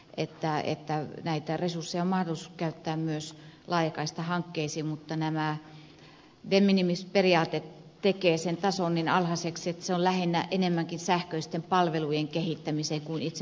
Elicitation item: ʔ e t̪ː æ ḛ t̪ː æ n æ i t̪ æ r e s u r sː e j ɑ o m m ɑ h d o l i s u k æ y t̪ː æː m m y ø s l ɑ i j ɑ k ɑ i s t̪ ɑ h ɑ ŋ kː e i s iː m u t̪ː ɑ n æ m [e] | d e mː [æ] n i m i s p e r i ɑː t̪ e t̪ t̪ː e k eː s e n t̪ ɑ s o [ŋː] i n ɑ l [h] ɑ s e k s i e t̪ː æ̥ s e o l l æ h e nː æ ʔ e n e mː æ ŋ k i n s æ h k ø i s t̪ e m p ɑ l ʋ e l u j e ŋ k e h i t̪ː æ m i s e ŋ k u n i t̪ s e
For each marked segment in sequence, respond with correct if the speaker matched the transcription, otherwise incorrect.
incorrect: æ, incorrect: i, incorrect: nː, correct

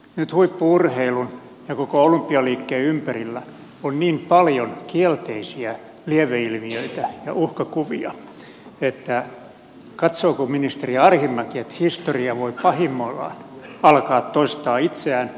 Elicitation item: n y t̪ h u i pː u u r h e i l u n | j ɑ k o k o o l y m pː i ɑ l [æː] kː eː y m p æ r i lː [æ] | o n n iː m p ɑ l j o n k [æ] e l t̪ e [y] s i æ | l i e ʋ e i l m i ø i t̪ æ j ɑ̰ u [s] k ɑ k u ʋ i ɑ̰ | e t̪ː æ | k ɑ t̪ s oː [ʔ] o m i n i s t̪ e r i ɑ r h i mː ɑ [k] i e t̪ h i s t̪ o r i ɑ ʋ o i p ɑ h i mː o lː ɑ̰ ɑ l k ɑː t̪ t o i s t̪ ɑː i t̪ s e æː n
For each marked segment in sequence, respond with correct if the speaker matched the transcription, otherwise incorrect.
incorrect: iː, correct, incorrect: i, incorrect: i, incorrect: h, incorrect: k, correct

